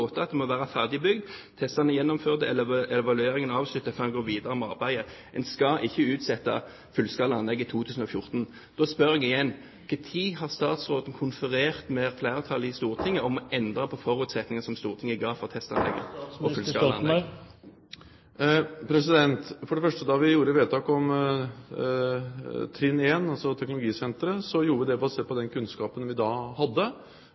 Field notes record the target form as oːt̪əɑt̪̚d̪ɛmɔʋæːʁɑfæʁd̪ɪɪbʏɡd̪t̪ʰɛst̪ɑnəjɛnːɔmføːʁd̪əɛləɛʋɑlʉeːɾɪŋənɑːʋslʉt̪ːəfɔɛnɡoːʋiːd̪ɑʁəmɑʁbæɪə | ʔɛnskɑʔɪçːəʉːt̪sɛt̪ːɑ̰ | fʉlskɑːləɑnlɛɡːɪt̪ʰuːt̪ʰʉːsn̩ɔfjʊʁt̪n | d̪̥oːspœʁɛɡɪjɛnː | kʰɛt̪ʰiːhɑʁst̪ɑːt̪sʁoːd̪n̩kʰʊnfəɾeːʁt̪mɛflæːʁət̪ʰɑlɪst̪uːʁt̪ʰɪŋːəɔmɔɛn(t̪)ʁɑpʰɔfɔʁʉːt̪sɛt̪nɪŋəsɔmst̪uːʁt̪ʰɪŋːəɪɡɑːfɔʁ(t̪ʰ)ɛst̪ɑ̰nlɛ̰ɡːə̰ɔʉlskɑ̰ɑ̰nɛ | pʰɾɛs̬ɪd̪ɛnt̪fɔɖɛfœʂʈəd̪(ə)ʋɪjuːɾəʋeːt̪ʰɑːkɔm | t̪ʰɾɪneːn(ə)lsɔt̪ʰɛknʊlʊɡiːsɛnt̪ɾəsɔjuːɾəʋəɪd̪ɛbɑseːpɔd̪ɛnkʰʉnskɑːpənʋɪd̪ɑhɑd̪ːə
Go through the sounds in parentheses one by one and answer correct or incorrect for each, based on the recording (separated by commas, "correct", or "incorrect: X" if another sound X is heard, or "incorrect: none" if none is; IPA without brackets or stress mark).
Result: incorrect: d̪, correct, incorrect: ɑ, incorrect: ɑ